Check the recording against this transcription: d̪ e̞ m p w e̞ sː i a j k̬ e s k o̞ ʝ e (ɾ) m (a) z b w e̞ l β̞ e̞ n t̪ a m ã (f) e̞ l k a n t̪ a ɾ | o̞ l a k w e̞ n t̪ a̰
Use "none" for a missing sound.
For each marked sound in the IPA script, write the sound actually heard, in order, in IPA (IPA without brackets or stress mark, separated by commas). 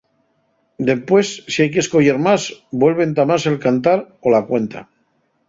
ɾ, a, s